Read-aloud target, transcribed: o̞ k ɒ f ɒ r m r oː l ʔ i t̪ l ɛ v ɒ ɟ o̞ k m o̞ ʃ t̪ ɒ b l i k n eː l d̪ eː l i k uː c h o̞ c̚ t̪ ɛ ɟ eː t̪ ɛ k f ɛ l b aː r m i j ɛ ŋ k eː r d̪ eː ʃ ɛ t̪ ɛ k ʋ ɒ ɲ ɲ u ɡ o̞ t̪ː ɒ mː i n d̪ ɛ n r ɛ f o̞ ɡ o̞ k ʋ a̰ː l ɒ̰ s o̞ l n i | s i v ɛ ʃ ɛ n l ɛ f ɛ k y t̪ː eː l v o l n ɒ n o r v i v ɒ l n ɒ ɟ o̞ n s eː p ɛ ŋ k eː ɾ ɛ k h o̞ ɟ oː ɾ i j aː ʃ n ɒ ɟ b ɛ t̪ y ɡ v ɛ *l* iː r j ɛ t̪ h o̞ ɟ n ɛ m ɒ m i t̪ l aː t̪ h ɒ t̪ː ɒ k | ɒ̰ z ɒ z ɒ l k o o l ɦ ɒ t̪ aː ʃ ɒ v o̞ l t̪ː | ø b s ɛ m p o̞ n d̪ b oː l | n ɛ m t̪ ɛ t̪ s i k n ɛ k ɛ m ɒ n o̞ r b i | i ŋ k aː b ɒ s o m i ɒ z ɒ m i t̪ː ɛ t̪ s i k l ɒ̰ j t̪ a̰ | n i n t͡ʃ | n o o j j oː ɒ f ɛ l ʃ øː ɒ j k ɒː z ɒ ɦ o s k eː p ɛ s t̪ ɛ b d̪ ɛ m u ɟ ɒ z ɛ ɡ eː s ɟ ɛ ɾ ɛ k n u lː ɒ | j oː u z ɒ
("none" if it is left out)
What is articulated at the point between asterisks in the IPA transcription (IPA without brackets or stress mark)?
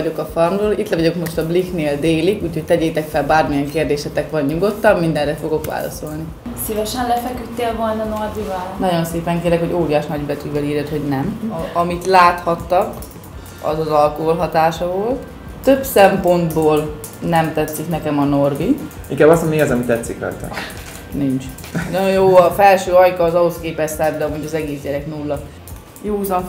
l